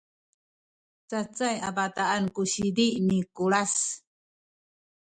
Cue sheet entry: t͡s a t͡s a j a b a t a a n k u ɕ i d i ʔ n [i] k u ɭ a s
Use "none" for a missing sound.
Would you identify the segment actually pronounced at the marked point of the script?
i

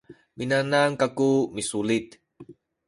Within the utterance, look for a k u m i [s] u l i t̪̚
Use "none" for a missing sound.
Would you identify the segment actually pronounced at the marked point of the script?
s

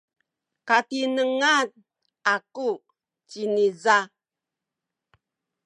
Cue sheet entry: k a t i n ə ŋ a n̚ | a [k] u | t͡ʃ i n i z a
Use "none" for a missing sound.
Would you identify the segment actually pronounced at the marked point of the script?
k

